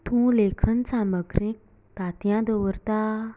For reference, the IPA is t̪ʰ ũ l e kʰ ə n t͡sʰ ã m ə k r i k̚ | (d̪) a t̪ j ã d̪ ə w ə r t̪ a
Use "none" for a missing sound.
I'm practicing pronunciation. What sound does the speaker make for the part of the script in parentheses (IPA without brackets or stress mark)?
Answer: t̪